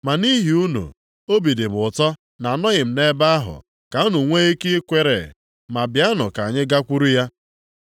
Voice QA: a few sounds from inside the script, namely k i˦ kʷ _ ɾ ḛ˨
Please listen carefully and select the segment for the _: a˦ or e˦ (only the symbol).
e˦